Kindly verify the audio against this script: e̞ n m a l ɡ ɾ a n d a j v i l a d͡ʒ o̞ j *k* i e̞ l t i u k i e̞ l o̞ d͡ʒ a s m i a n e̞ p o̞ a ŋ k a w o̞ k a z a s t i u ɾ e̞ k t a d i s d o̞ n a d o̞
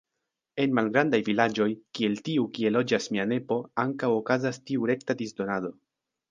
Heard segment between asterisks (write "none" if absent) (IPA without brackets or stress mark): k